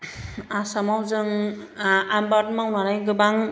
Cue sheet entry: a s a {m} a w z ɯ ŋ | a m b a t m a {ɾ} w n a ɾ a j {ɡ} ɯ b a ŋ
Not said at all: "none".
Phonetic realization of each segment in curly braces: m, none, ɡ

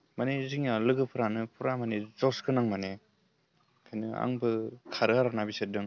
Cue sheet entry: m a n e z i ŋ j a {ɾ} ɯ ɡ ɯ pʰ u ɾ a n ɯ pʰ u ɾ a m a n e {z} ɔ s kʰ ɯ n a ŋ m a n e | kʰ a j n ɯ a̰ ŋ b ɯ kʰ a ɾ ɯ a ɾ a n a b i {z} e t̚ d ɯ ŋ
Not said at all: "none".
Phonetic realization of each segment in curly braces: l, z, s

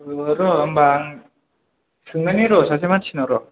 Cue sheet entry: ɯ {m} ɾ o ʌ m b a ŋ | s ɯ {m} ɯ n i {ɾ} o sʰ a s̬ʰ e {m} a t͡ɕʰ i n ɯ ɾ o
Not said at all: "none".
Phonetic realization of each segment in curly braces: none, ŋ, ɾ, m

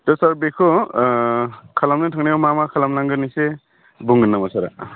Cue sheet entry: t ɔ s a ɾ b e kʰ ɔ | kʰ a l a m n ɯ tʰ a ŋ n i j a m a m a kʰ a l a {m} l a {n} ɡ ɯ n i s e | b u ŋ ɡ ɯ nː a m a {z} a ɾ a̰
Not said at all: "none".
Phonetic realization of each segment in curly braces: m, ŋ, s

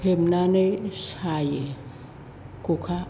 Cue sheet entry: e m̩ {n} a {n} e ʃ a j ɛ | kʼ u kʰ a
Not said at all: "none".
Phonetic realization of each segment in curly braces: n, n

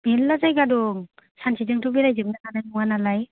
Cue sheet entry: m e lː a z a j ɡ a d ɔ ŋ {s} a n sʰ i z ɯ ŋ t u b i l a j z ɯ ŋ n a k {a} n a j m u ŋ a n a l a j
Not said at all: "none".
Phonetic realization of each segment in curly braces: s, a

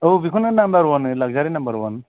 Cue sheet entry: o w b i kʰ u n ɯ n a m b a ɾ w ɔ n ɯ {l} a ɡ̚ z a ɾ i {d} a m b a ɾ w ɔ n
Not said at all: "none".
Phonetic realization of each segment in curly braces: l, n

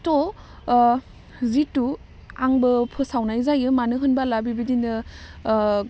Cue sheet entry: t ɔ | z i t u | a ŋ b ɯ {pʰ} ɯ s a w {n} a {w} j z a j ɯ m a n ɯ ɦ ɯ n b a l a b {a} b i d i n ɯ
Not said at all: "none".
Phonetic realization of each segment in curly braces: pʰ, n, none, i

